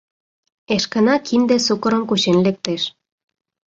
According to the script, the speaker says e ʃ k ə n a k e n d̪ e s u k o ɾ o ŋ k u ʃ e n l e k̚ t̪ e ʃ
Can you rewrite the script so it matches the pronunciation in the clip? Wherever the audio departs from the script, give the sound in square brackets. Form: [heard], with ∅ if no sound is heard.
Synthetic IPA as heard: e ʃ k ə n a k [i] n d̪ e s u k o ɾ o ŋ k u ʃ e n l e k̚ t̪ e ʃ